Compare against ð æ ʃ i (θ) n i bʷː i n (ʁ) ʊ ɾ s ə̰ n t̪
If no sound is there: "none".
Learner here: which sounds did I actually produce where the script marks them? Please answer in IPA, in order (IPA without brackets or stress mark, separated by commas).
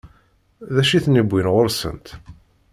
θ, ʁ